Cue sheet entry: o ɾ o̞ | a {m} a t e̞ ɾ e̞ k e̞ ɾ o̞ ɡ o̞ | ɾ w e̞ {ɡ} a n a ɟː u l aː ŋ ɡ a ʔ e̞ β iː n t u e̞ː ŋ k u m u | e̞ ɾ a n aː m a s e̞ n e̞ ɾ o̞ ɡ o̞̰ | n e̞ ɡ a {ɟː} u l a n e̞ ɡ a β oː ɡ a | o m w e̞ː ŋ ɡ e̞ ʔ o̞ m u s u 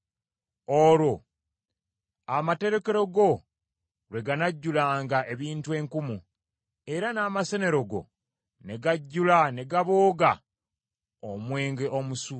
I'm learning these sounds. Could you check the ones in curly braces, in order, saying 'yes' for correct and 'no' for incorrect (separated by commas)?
yes, yes, yes